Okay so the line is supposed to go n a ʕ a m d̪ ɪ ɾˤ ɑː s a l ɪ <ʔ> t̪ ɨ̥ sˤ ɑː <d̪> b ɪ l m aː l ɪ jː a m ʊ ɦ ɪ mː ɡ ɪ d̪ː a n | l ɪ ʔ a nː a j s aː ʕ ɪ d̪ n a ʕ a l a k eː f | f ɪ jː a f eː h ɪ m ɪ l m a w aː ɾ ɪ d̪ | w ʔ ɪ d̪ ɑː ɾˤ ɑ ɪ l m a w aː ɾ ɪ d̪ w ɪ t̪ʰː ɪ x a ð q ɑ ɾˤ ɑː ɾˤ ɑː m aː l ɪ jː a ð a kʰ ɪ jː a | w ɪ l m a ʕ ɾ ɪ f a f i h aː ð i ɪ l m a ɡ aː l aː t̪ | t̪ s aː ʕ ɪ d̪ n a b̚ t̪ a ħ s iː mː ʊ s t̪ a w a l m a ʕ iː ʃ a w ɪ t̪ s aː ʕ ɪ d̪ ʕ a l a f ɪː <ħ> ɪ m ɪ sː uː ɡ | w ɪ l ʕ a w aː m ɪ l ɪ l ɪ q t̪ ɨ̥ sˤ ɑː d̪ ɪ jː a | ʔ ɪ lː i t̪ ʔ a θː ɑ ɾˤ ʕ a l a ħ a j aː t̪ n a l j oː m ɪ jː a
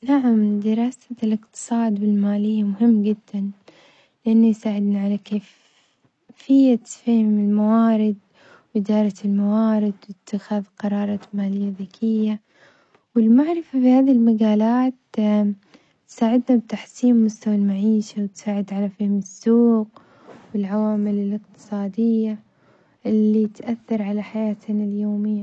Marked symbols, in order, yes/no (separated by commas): no, yes, no